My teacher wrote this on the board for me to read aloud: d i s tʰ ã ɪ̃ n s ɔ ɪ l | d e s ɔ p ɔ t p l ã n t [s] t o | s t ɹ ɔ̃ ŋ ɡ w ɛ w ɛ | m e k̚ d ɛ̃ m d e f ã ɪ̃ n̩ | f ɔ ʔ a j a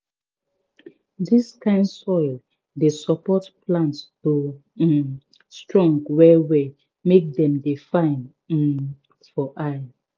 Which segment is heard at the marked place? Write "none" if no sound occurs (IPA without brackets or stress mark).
s